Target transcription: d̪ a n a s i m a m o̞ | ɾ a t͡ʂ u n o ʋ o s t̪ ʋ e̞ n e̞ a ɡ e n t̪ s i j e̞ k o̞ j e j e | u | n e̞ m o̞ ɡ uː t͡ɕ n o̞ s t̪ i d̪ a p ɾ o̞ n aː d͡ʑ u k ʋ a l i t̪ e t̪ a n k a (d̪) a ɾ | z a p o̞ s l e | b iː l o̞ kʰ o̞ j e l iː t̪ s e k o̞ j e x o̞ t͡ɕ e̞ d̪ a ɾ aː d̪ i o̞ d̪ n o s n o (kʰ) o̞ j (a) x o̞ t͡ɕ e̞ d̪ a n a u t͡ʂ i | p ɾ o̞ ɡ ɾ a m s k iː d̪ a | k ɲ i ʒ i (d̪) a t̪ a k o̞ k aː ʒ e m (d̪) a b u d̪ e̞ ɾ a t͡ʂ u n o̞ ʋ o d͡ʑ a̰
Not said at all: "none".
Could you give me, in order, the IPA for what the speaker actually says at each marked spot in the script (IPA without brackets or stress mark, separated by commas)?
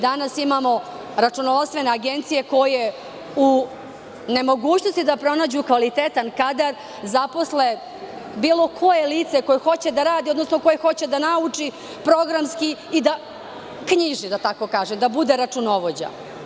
d̪, k, e, d̪, d̪